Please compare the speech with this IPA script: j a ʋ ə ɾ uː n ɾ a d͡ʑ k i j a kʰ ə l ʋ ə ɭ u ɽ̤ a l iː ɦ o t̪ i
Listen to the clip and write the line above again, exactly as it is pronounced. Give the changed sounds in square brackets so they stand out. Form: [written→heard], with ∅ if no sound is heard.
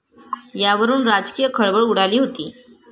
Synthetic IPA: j a ʋ ə ɾ uː n ɾ a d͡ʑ k i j [a→ə] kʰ ə [l→ɭ] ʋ ə ɭ u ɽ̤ a l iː ɦ o t̪ [i→iː]